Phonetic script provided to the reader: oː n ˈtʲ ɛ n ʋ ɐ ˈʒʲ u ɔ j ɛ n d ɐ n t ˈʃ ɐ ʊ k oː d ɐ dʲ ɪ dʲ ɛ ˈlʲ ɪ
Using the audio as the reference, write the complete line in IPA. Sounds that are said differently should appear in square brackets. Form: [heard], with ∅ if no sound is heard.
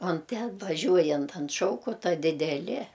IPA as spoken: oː n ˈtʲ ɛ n ʋ ɐ ˈʒʲ u ɔ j ɛ n [t] ɐ n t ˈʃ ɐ ʊ k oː [t] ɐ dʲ ɪ dʲ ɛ ˈlʲ ɪ